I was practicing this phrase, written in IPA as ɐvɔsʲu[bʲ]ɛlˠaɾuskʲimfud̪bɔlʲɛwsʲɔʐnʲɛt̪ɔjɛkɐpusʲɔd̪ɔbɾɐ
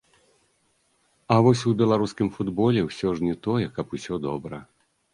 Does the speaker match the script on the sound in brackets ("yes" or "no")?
yes